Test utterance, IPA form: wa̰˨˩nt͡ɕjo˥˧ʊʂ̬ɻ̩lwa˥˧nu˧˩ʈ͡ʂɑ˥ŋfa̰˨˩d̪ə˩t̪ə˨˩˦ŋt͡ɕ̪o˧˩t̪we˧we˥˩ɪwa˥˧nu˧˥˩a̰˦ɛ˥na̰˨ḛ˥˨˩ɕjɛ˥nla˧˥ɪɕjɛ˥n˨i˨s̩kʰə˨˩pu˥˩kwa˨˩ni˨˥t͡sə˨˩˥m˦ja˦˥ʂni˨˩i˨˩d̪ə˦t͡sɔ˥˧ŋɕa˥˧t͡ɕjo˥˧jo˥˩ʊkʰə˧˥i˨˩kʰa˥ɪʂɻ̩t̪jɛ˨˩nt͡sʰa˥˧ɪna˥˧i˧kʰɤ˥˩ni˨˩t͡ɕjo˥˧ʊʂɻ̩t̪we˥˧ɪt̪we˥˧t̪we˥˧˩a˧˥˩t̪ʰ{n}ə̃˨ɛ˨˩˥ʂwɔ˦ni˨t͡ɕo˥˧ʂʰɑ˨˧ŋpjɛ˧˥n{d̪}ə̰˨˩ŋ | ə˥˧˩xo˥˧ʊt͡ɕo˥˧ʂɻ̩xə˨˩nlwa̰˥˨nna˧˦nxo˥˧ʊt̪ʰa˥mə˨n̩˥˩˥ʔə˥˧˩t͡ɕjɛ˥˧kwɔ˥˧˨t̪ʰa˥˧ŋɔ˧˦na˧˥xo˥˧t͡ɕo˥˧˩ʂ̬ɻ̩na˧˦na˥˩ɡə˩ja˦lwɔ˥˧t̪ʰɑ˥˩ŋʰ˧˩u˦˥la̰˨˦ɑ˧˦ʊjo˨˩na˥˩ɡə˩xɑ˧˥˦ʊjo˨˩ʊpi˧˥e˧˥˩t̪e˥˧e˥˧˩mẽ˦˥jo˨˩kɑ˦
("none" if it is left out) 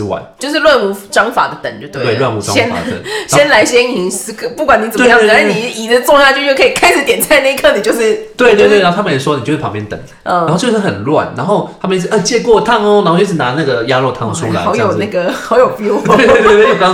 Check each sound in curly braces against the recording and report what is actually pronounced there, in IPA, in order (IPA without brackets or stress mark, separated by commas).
m, t̪